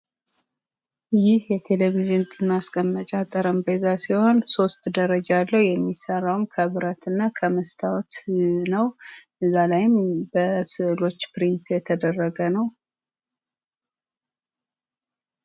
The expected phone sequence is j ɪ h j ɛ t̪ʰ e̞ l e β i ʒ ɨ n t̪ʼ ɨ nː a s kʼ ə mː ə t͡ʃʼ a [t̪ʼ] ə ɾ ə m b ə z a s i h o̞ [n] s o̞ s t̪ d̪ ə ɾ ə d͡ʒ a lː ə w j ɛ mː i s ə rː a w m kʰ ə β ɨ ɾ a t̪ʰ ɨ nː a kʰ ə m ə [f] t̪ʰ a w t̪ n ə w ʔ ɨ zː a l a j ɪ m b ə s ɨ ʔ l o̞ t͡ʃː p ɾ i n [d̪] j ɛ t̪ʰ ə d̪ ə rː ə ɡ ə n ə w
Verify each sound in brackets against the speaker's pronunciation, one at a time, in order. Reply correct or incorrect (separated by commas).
correct, correct, incorrect, incorrect